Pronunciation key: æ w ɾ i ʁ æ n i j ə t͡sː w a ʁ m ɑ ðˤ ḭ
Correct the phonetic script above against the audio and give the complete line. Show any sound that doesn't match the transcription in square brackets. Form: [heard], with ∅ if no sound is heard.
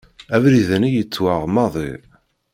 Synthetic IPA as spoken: æ [v] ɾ i [ð] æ n i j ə t͡sː w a ʁ m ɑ ðˤ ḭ

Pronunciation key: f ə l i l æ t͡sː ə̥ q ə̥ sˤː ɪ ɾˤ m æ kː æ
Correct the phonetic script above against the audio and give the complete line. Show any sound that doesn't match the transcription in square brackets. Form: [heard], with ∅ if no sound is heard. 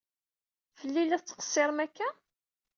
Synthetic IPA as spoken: f ə [lː] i l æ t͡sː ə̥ q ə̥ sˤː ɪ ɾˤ m æ kː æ

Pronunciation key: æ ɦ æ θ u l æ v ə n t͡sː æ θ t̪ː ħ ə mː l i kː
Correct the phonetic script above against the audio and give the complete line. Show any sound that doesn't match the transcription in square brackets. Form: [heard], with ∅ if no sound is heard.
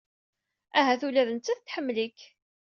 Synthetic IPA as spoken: æ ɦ æ θ u l æ [ð] ə n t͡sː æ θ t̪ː ħ ə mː l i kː

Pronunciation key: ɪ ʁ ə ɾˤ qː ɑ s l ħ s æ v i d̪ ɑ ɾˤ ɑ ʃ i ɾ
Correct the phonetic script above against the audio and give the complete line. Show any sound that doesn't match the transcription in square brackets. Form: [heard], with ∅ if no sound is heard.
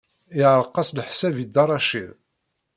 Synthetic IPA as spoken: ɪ [ʕ] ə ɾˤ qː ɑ s l ħ s æ v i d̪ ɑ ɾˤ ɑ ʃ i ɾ

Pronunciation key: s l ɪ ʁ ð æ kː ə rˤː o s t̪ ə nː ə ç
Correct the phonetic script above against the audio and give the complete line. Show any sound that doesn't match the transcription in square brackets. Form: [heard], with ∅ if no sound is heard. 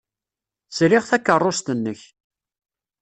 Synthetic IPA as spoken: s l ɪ ʁ [θ] æ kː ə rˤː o s t̪ ə nː ə ç

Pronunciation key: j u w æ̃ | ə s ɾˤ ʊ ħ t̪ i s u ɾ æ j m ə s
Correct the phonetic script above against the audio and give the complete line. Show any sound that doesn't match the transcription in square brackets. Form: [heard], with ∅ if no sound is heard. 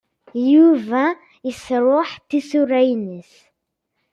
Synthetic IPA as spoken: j u [v] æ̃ | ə s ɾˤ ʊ ħ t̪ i s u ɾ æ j [n] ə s

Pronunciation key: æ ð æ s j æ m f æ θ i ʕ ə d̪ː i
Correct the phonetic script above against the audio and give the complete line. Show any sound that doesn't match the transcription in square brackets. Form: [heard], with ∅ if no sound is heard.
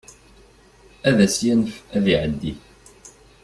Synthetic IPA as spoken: æ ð æ s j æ [n] f æ [ð] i ʕ ə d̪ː i

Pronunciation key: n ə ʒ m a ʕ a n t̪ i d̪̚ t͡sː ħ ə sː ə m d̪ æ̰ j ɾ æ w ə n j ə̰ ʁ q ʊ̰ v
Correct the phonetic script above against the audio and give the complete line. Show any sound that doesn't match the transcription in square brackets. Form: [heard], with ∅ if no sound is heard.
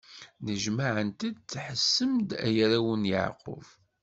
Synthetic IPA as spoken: n ə ʒ m a ʕ [ə] n t̪ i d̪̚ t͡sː ħ ə sː ə m d̪ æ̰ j ɾ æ w ə n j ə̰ [ʕ] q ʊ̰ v

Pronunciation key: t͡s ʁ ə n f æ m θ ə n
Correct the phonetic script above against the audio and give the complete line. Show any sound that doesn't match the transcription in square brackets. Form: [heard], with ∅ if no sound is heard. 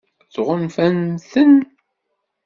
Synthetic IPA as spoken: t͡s ʁ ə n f æ [n] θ ə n

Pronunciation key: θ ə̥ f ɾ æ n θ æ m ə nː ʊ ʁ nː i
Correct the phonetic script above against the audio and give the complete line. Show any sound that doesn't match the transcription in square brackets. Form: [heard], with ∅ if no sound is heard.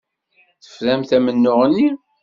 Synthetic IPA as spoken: θ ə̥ f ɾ æ [m] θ æ m ə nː ʊ ʁ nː i

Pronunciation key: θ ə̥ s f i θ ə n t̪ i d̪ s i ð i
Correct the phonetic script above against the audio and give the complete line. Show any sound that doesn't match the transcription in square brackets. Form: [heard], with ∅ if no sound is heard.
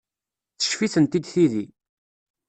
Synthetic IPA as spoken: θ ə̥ [ʃ] f i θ ə n t̪ i d̪ [θ] i ð i

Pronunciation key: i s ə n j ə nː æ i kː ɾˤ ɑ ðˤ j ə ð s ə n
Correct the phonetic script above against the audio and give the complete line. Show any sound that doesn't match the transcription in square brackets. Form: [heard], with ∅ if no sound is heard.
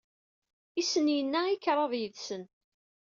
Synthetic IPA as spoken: i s ə n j ə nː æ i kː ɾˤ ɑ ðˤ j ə ð s ə n

